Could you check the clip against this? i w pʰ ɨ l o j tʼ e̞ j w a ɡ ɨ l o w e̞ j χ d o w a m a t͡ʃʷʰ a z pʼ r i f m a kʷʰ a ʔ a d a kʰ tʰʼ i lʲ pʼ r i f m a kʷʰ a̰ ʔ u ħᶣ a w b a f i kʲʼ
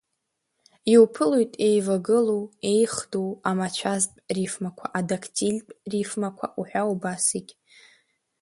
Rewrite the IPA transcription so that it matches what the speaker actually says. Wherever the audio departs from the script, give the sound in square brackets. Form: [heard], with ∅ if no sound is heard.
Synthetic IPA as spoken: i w pʰ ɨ l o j tʼ e̞ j [v] a ɡ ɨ l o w e̞ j χ d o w a m a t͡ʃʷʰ a z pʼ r i f m a kʷʰ a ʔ a d a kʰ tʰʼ i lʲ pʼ r i f m a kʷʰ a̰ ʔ u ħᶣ a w b a [s] i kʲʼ